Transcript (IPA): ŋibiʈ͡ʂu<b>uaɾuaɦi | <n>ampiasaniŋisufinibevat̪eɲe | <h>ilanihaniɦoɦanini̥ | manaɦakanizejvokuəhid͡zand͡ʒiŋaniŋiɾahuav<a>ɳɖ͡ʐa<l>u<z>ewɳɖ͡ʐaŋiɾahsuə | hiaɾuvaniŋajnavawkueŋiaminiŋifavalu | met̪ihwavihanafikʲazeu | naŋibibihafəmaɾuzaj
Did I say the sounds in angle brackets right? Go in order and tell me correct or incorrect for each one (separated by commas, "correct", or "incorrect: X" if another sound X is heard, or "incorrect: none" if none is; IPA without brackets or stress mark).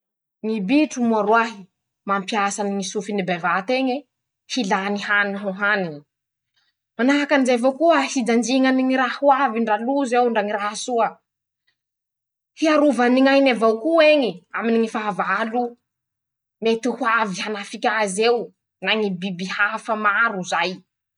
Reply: incorrect: m, incorrect: m, correct, incorrect: i, correct, correct